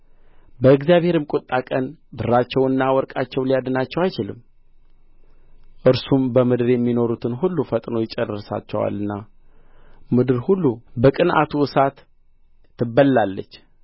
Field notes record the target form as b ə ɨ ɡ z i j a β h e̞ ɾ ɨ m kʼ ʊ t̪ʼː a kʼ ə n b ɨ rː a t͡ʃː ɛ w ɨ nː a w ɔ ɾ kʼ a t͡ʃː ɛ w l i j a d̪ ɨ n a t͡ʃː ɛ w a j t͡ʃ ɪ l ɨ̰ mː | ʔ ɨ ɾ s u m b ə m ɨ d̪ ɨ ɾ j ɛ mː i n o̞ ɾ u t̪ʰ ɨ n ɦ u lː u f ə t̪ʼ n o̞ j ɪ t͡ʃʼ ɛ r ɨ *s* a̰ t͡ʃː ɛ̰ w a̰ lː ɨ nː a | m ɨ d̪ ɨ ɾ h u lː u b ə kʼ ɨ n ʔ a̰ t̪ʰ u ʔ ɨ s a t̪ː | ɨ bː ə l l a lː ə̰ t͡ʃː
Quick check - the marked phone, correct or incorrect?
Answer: correct